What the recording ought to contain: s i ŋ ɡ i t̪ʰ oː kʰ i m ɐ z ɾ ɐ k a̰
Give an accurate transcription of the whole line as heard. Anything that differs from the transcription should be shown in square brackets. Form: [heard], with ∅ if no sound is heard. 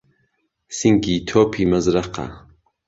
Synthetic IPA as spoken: s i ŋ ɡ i t̪ʰ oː [pʰ] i m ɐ z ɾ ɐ [q] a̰